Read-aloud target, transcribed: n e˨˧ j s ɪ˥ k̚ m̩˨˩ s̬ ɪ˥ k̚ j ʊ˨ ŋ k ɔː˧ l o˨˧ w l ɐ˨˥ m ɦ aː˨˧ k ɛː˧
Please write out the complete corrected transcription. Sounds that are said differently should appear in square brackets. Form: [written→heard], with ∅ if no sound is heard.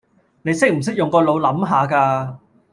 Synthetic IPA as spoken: n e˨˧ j s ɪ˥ k̚ m̩˨˩ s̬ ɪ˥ k̚ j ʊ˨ ŋ k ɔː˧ l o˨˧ w l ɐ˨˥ m ɦ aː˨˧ k [ɛː˧→aː˧]